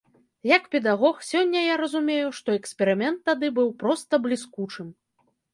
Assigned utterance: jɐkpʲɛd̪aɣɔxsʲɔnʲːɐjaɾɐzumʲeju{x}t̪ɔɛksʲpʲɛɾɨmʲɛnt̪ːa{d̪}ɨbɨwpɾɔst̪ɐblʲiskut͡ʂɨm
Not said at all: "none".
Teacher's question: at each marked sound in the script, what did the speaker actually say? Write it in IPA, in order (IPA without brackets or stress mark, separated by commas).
ʂ, d̪